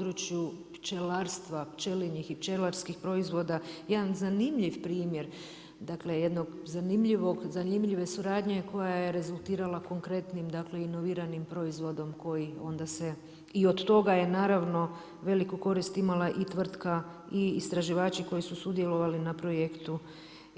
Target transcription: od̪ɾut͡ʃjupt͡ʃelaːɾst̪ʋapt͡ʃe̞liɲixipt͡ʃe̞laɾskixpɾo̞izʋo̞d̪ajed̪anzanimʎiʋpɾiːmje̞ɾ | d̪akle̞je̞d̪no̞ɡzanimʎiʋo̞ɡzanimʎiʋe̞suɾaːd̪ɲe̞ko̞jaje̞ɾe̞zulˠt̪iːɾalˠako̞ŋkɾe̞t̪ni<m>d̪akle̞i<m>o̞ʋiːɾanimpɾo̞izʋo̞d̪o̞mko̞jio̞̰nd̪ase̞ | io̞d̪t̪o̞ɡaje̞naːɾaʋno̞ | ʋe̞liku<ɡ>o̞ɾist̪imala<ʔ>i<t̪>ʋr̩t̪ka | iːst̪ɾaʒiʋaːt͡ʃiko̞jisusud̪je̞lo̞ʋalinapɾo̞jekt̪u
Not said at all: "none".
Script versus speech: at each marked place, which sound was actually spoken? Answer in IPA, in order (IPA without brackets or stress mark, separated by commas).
m, n, k, ʔ, t̪